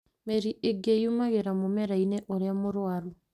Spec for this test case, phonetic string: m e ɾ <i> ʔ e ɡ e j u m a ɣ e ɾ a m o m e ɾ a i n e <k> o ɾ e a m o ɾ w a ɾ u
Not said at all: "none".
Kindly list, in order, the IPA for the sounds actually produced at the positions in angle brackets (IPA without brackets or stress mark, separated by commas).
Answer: i, ʔ